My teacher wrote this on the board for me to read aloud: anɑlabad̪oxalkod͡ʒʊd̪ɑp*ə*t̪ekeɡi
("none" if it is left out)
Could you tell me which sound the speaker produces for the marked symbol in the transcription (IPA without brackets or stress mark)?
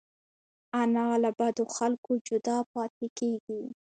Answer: ɑ